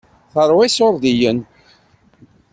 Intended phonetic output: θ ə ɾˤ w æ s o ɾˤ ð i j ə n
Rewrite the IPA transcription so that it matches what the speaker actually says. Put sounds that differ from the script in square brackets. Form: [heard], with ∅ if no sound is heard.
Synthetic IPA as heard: θ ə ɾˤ w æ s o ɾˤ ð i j ə n